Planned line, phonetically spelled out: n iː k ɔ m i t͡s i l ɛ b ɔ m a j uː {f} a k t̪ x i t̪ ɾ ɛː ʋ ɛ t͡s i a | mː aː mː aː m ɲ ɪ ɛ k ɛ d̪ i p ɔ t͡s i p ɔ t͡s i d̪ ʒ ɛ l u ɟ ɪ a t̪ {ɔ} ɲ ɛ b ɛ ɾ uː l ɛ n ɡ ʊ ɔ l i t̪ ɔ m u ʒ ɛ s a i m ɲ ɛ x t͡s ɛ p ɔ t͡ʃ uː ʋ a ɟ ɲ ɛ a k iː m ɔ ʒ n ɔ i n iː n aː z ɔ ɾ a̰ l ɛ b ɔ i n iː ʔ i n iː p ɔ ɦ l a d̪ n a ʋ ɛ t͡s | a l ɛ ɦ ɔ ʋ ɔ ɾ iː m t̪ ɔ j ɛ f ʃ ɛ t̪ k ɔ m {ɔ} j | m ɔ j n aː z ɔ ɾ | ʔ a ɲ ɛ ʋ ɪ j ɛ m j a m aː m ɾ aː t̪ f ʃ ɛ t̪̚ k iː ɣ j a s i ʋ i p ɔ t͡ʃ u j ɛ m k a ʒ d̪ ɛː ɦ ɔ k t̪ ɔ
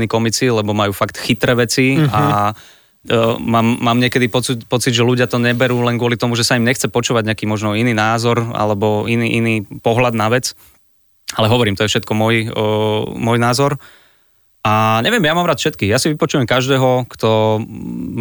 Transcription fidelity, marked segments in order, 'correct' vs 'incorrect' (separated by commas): correct, correct, correct